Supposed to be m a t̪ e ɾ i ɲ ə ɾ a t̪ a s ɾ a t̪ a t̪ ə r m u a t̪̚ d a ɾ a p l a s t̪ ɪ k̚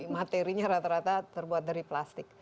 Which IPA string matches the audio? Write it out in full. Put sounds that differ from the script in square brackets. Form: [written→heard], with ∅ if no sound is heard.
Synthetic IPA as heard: m a t̪ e ɾ i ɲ [ə→a] ɾ a t̪ a [s→∅] ɾ a t̪ a t̪ ə r [m→b] u a t̪̚ d a ɾ [a→i] p l a s t̪ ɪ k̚